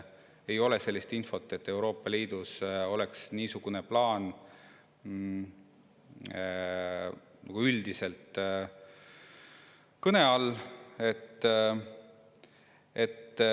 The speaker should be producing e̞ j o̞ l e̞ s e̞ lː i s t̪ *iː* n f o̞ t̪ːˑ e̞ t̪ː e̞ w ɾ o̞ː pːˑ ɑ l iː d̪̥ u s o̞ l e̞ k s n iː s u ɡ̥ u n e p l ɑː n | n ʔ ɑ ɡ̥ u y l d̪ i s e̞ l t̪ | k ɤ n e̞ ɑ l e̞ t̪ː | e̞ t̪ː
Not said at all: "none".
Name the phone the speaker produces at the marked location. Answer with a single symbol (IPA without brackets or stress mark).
i